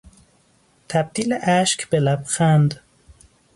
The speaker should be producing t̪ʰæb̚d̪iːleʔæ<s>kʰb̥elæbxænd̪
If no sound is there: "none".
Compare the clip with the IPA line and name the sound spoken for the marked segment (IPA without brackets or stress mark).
ʃ